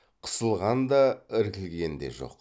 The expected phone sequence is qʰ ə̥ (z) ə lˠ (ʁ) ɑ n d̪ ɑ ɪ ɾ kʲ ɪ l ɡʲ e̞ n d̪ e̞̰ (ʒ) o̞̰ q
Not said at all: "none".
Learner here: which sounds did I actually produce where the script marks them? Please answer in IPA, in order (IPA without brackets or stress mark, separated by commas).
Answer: s, ʁ, ʒ